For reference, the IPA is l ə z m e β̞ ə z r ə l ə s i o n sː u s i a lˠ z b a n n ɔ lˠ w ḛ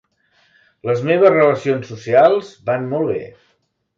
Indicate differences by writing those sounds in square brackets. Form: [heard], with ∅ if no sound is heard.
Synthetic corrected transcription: l ə z m e β̞ ə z r ə l ə s i o n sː u s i a lˠ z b a n [m] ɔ lˠ [β] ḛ